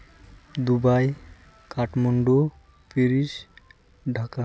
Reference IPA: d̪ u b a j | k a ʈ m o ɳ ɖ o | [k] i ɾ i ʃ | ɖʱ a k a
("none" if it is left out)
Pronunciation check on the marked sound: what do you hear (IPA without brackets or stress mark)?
p